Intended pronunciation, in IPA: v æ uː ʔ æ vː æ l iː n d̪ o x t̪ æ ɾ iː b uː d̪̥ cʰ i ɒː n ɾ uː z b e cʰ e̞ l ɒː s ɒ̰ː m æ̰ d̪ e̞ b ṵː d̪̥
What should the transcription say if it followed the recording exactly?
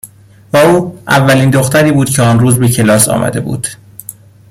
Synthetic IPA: v æ uː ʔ æ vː æ l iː n d̪ o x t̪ æ ɾ iː b uː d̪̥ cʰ e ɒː n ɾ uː z b e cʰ e̞ l ɒː s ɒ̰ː m æ̰ d̪ e̞ b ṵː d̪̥